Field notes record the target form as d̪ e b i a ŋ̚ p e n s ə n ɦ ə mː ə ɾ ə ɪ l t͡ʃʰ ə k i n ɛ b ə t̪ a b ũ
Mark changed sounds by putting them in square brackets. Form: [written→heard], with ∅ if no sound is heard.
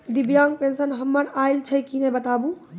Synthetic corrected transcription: d̪ [e→i] b [i→j] a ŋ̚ p e n s ə n ɦ ə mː ə ɾ [ə→a] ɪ l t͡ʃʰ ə k i n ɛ b ə t̪ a b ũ